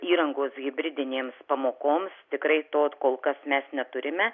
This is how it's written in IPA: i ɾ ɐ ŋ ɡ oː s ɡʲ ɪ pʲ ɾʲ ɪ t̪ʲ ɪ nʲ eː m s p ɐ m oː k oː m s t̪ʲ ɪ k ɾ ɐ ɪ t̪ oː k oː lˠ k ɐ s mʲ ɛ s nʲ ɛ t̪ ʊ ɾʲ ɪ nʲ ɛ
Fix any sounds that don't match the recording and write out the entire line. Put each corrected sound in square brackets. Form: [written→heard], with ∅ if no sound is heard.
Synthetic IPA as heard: [i→iː] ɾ ɐ ŋ ɡ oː s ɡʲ ɪ [pʲ→bʲ] ɾʲ ɪ [t̪ʲ→d̪ʲ] ɪ nʲ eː m s p ɐ m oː k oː m s t̪ʲ ɪ k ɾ ɐ ɪ t̪ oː k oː lˠ k ɐ s mʲ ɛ s nʲ ɛ t̪ ʊ ɾʲ ɪ [nʲ→mʲ] ɛ